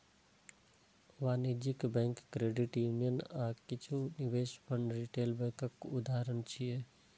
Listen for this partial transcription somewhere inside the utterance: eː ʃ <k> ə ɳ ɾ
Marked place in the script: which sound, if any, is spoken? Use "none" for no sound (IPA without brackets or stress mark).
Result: p